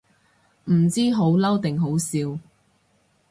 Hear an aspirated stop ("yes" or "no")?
no